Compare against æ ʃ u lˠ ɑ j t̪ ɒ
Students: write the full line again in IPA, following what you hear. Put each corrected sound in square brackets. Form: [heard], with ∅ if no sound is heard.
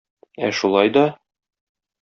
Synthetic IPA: æ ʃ u lˠ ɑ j [d̪] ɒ